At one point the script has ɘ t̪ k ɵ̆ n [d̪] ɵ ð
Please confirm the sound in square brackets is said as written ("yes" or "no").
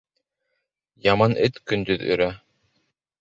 yes